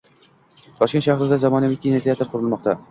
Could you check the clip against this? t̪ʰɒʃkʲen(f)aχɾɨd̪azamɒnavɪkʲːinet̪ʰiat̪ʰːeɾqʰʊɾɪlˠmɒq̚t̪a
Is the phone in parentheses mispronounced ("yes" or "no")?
yes